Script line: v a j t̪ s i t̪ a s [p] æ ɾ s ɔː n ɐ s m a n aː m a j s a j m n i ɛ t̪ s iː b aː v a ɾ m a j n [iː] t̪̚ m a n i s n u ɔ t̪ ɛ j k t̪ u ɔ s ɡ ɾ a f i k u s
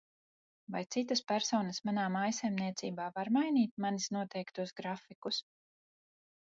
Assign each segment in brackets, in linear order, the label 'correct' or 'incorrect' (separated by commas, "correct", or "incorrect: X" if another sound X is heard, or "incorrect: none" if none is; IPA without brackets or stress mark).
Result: correct, correct